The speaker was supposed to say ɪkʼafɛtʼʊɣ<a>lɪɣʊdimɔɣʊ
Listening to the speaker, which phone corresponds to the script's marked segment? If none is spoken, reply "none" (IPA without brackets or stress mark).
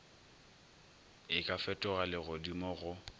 a